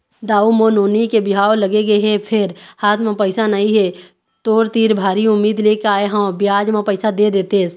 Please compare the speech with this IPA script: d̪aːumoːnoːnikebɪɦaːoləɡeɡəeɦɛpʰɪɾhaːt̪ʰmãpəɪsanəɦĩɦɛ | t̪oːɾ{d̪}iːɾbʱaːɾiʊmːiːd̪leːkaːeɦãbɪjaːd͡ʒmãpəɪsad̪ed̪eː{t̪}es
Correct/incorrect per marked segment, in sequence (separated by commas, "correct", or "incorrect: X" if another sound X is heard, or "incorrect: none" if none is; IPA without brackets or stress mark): incorrect: t̪, correct